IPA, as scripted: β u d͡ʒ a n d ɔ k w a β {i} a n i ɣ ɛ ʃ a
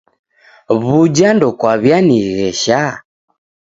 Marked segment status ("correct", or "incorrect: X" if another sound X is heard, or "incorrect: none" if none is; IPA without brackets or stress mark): incorrect: j